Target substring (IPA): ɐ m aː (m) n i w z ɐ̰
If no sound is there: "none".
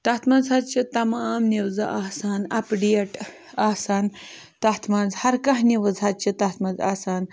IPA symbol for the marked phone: m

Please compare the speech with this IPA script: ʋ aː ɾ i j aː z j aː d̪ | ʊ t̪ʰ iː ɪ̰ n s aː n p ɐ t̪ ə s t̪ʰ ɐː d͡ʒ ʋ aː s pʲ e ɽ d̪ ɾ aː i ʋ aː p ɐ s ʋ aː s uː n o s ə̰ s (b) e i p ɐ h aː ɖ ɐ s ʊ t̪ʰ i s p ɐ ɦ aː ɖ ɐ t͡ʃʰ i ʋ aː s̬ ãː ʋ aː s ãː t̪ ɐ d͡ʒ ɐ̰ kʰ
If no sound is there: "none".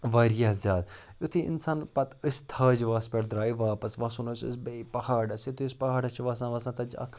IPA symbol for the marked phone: b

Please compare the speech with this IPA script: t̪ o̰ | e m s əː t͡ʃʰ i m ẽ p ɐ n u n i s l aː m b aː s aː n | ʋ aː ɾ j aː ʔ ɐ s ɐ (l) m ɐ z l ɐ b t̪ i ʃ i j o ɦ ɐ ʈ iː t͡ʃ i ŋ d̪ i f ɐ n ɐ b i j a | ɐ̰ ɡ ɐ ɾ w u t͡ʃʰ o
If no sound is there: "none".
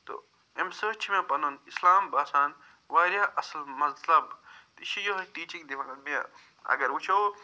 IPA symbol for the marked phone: l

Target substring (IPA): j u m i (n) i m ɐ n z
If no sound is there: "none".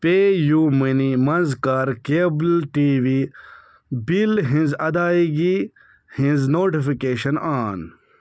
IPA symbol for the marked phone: n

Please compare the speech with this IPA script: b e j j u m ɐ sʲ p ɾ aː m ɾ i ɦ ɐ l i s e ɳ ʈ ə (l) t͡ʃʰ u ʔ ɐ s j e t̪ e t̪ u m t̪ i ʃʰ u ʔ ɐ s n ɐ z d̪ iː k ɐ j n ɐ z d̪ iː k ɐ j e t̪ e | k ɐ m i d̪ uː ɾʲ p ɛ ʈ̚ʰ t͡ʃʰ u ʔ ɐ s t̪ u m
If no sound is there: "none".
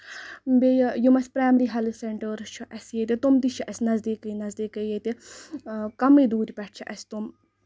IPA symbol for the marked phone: ɾ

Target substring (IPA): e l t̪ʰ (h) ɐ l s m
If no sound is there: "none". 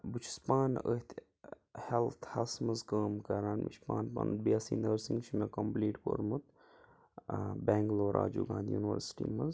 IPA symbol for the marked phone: h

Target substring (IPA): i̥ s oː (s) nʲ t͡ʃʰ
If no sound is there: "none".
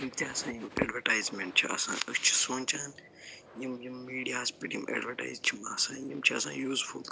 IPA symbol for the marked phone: none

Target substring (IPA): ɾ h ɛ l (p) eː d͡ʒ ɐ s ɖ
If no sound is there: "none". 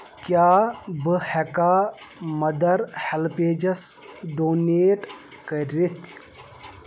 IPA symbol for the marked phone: p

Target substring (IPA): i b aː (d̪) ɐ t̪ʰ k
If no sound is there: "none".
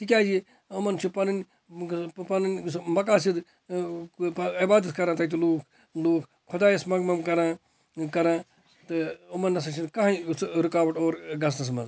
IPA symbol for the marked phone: d̪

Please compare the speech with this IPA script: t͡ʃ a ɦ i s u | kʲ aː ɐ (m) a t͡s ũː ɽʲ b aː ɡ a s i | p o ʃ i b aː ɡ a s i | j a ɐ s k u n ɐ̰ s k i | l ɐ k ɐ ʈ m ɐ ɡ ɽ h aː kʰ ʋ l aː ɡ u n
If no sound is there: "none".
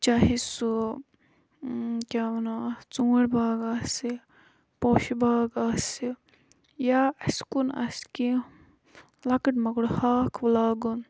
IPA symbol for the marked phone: n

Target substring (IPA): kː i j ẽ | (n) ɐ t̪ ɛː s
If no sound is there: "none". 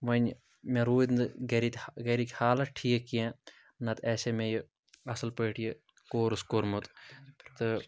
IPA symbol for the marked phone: n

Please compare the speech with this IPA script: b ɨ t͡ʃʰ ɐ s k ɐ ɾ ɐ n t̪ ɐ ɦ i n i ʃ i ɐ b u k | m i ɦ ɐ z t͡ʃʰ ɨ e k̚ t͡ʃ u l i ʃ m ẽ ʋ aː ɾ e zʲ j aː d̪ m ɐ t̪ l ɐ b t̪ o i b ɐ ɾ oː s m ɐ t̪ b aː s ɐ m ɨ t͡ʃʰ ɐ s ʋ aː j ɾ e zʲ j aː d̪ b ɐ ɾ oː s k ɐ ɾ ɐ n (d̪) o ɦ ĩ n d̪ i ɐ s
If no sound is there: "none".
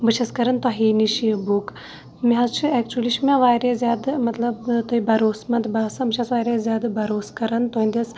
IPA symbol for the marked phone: t̪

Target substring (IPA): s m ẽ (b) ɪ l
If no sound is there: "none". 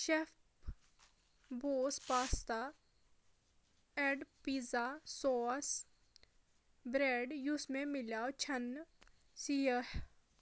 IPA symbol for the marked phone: m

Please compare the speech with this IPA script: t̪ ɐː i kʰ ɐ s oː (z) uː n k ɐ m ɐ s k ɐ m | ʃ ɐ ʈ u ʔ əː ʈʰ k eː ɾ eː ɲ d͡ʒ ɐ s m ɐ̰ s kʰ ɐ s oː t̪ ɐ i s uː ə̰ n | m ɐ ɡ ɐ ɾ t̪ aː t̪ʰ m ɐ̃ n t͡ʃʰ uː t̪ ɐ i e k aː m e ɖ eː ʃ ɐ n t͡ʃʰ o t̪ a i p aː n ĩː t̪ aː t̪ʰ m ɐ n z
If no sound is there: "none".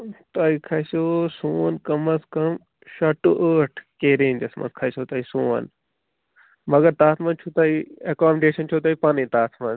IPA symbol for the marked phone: s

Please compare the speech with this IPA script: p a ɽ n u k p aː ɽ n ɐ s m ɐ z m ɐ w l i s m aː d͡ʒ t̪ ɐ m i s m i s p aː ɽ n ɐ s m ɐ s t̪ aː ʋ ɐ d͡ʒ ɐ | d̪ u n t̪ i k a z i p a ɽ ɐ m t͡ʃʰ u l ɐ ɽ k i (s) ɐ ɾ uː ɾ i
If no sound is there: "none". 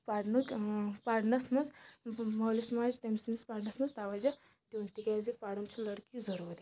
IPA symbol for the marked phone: z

